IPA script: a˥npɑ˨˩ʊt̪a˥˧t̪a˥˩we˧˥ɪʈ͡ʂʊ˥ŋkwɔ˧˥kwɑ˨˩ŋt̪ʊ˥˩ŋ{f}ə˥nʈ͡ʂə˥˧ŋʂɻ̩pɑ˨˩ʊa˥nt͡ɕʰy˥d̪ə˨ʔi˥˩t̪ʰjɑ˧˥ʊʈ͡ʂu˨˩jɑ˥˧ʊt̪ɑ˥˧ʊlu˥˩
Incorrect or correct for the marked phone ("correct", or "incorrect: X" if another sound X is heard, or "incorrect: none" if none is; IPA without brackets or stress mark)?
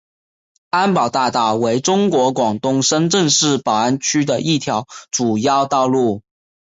incorrect: ʂ